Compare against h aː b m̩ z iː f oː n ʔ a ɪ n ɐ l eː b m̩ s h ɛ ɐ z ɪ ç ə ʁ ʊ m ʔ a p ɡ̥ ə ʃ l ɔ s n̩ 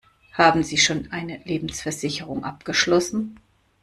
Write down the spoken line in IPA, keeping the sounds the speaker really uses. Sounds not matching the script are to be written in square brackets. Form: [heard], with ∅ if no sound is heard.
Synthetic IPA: h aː b m̩ z iː [ʃ] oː n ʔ a ɪ n [ə] l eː b m̩ s [f] ɛ ɐ z ɪ ç ə ʁ ʊ [ŋ] ʔ a p ɡ̥ ə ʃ l ɔ s n̩